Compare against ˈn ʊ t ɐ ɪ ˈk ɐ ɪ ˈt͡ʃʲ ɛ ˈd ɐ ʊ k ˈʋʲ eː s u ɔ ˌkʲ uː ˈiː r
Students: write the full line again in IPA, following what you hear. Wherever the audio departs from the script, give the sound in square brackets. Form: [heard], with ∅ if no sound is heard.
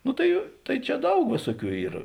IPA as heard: ˈn ʊ t ɐ ɪ [ˈt] ɐ ɪ ˈt͡ʃʲ ɛ ˈd ɐ ʊ k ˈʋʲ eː s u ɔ ˌkʲ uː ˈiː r